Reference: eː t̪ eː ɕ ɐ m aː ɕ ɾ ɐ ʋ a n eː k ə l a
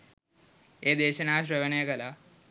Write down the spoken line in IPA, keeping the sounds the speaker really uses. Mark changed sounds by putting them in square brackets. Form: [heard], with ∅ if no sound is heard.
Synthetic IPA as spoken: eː [d̪] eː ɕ ɐ [n] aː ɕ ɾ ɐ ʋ [ɐ] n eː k [ɐ] l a